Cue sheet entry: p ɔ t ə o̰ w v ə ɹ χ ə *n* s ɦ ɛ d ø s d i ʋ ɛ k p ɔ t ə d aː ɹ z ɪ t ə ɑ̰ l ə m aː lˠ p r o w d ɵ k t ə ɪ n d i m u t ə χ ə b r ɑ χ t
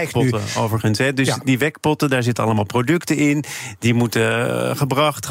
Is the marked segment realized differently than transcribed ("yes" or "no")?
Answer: no